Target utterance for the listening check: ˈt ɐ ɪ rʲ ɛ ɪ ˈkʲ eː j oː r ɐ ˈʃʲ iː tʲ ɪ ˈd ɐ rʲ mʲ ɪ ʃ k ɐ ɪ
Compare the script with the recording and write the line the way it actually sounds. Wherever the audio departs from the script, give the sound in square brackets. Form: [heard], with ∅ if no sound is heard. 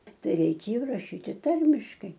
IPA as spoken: ˈt ɐ ɪ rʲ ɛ ɪ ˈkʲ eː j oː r ɐ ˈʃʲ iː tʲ ɪ [ˈt] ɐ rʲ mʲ ɪ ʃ k ɐ ɪ